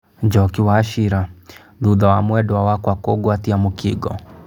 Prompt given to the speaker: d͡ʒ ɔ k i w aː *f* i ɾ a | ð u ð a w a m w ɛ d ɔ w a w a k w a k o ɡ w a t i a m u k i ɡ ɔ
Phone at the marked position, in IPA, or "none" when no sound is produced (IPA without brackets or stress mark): ʃ